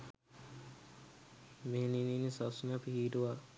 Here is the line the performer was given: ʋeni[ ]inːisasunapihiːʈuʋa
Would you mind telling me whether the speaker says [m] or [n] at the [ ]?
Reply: n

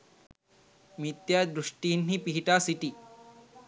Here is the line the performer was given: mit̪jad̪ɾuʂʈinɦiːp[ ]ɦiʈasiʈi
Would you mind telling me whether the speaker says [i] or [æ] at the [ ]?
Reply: i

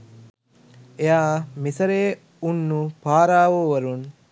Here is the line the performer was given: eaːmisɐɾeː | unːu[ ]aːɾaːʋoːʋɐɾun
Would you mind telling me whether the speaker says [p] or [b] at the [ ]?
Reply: p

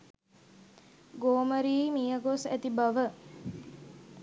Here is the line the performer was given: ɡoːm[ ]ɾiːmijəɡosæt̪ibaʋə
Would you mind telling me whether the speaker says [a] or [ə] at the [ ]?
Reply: ə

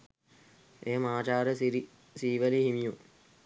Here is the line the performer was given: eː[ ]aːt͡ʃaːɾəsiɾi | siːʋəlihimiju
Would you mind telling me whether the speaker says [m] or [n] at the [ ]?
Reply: m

